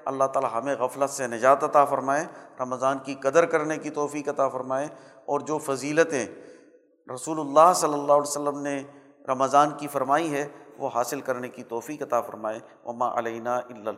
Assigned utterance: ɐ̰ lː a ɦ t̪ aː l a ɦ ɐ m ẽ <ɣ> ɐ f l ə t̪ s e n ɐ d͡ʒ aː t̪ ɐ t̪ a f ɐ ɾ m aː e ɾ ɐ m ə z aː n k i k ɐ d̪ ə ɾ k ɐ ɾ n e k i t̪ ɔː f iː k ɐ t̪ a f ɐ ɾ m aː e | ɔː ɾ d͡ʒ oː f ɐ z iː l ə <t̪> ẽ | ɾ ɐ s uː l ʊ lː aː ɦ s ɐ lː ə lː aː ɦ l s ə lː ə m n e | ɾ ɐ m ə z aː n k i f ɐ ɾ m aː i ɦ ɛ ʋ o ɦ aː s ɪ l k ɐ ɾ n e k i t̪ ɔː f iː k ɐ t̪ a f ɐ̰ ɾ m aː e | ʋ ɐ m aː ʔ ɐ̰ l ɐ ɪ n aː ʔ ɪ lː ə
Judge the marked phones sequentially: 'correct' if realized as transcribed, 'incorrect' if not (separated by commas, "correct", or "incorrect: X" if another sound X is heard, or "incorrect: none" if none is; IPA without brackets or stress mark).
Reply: correct, correct